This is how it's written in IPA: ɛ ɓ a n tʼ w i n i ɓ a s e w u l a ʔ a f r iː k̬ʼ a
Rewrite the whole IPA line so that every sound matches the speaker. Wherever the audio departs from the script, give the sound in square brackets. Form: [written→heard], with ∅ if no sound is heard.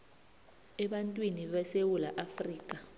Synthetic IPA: ɛ ɓ a n tʼ w i n i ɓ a s e w u l a ʔ a f r iː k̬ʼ a